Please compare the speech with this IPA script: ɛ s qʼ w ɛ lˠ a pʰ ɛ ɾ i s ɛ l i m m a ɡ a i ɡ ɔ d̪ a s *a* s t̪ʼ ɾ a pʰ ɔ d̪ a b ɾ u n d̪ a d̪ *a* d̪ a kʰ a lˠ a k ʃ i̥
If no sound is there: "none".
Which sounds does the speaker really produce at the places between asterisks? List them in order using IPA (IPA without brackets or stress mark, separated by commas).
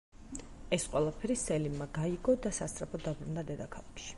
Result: a, ɛ